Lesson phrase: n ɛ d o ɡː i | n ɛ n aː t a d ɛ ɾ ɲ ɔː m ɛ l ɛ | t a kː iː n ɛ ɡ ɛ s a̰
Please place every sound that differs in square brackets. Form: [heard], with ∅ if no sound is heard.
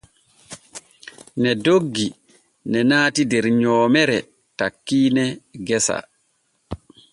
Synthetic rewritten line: n ɛ d o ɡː i | n ɛ n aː t [i] d ɛ ɾ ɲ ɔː m ɛ [ɾ] ɛ | t a kː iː n ɛ ɡ ɛ s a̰